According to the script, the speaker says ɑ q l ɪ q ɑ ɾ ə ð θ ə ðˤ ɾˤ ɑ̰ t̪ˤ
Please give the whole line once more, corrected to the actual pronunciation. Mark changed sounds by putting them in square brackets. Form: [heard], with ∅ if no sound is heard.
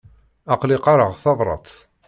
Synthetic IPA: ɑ q l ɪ q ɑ ɾ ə [ʁ] θ [ɑ] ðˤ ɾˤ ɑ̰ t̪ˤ